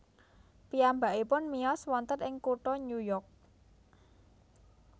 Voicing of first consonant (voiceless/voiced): voiceless